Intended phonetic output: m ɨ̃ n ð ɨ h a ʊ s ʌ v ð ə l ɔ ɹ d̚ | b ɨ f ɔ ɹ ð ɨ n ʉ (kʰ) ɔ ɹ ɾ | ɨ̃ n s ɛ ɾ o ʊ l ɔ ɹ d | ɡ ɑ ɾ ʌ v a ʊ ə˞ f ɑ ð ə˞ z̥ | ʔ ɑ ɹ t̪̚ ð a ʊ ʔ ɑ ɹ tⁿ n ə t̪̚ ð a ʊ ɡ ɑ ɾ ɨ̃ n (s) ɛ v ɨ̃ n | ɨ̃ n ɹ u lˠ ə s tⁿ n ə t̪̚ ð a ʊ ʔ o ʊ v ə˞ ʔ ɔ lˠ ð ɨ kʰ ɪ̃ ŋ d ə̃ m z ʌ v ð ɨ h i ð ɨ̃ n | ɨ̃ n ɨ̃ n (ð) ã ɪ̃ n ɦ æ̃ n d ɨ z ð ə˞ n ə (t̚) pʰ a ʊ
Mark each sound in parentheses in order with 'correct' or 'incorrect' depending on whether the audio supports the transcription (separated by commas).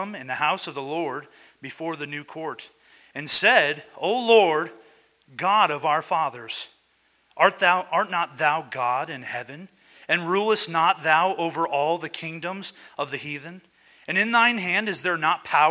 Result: correct, incorrect, correct, correct